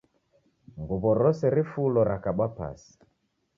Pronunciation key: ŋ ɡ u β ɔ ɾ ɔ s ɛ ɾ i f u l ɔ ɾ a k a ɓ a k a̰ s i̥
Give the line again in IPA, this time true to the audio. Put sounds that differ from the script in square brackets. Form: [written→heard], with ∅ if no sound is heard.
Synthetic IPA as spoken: ŋ ɡ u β ɔ ɾ ɔ s ɛ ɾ i f u l ɔ ɾ a k a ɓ a [k→p] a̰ s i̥